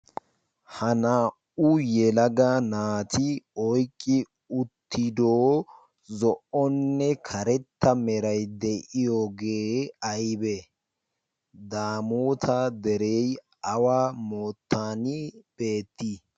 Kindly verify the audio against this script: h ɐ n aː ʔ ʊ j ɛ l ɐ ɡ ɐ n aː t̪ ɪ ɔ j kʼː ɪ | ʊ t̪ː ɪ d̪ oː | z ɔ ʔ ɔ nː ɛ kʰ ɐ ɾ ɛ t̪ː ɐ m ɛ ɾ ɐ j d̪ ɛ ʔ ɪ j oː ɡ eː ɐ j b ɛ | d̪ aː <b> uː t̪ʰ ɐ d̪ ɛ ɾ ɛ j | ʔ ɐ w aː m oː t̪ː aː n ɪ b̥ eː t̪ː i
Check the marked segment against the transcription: incorrect: m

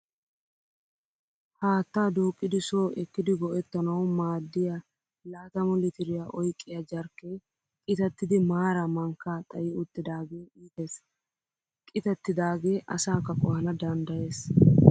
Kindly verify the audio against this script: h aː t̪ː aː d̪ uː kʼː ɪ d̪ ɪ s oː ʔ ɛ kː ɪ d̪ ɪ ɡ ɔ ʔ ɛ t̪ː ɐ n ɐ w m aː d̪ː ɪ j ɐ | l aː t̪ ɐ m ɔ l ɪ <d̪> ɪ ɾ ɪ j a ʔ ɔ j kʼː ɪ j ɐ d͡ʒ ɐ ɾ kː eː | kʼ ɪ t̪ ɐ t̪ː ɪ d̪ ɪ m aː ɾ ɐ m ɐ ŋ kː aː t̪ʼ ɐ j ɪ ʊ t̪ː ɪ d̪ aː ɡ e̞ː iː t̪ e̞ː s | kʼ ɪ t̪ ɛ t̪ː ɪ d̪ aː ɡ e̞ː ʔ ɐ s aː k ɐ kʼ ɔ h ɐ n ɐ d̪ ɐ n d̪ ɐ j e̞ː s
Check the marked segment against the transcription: incorrect: t̪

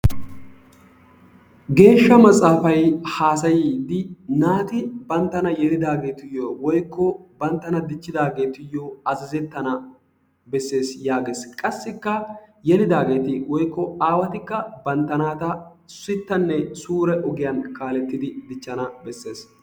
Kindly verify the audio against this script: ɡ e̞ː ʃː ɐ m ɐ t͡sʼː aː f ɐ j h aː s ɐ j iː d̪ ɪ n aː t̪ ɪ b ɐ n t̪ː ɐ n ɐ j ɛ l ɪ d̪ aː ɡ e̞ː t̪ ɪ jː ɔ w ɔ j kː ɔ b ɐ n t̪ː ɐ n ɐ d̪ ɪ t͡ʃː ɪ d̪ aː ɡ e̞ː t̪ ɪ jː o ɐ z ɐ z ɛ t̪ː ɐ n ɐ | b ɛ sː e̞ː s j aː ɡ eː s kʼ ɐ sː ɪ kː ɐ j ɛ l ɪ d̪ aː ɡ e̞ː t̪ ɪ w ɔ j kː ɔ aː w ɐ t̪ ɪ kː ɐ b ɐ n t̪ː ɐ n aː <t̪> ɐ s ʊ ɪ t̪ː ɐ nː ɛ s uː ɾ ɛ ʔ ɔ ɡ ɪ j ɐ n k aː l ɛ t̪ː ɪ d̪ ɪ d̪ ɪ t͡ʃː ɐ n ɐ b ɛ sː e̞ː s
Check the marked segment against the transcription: correct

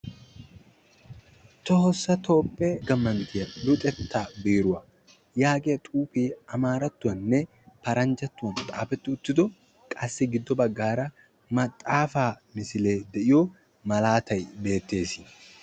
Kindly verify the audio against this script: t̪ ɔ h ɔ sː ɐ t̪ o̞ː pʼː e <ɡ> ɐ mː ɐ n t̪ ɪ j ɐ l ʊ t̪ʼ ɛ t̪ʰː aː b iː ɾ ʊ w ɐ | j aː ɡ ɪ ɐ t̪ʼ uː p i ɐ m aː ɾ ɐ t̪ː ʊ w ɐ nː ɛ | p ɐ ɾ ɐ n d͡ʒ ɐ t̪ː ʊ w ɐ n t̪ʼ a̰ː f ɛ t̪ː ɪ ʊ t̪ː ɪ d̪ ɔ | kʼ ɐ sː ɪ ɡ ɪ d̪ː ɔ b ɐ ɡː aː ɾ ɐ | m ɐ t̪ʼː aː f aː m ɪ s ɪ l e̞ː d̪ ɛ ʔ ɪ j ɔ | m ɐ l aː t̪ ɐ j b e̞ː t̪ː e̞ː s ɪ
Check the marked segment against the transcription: correct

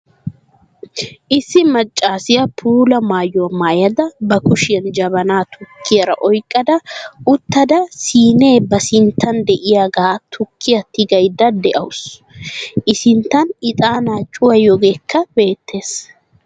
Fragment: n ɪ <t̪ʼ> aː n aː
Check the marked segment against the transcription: correct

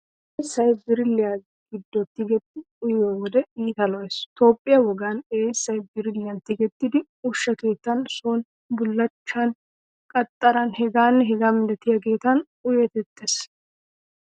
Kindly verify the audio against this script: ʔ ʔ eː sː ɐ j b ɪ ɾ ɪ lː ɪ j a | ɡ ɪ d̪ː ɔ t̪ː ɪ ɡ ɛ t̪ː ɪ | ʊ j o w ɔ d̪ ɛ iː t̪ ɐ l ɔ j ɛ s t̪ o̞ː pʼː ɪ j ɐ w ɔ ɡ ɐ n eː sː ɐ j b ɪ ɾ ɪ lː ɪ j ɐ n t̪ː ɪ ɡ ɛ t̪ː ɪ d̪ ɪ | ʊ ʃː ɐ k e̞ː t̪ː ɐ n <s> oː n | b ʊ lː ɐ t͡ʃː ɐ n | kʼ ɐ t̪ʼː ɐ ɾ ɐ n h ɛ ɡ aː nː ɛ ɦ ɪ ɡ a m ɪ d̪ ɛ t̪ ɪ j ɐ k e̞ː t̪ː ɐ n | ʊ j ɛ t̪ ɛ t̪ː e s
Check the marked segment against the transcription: correct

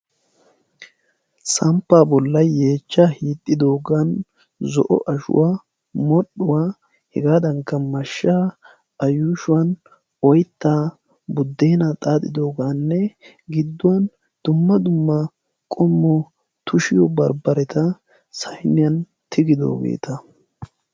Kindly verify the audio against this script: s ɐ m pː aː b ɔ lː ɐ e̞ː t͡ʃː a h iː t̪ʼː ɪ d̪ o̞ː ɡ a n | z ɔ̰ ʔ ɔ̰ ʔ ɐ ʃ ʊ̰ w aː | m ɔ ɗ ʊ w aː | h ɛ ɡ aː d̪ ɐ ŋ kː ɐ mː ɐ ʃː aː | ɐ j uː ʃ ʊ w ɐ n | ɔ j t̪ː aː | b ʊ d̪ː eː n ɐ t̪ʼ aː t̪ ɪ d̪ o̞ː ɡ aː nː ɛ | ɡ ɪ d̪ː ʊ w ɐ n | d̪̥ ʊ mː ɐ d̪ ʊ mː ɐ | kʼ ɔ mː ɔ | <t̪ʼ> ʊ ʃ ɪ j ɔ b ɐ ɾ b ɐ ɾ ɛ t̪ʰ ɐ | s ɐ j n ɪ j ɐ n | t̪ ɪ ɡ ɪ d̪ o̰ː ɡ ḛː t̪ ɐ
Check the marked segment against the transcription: incorrect: t̪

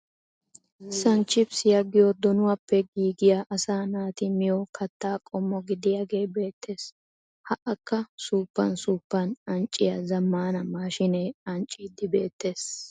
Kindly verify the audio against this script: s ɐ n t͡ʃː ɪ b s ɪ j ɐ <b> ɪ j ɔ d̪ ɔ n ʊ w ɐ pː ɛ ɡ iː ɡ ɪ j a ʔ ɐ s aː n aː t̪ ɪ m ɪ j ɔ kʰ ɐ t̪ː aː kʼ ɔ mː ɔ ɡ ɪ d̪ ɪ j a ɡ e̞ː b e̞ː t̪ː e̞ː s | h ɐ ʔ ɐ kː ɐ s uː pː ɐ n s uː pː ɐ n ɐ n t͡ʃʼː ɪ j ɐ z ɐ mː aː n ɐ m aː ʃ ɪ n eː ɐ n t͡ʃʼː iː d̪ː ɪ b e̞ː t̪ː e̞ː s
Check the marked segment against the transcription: incorrect: ɡ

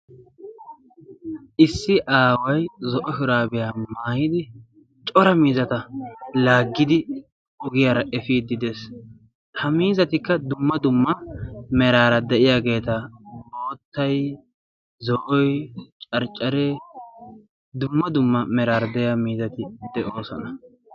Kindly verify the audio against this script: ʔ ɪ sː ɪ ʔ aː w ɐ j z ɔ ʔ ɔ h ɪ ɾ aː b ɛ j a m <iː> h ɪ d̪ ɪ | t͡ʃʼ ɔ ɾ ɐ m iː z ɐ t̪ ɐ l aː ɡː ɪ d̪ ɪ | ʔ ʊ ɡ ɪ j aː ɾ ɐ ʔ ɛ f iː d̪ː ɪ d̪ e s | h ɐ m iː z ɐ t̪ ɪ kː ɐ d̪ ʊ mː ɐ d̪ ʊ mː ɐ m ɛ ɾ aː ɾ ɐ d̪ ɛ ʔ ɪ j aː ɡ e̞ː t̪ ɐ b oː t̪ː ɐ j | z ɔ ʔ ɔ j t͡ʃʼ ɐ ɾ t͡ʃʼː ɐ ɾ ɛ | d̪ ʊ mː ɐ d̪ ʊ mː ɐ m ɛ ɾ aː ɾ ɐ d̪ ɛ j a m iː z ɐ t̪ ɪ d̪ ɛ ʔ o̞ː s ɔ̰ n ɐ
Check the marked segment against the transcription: incorrect: aː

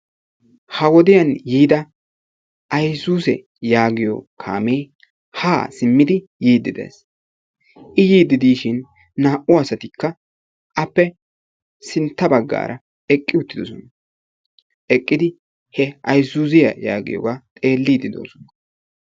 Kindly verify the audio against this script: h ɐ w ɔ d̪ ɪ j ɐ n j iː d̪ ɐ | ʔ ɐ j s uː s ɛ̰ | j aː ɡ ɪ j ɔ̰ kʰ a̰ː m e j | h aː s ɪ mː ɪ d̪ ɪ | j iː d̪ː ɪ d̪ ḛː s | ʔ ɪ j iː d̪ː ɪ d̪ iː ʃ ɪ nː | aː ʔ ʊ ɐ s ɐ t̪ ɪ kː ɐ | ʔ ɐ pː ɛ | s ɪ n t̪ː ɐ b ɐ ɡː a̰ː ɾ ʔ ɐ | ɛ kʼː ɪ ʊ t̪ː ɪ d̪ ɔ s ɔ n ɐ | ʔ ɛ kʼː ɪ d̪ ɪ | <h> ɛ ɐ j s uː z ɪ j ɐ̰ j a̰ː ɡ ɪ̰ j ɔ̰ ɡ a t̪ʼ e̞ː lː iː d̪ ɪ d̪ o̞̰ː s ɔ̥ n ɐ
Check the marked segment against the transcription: correct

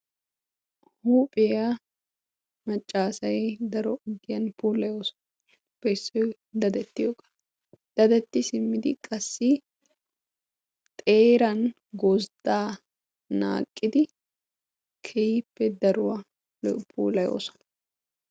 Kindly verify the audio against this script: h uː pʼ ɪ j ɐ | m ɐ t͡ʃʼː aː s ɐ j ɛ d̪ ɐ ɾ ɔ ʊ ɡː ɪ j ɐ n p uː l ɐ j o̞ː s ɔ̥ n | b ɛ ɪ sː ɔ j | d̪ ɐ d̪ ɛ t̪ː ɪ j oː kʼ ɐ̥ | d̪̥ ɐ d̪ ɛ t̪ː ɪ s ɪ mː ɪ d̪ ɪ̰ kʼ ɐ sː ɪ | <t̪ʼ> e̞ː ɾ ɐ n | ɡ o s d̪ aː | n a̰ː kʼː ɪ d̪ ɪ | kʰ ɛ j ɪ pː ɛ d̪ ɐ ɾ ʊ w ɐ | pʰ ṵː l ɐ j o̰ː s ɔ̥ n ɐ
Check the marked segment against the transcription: correct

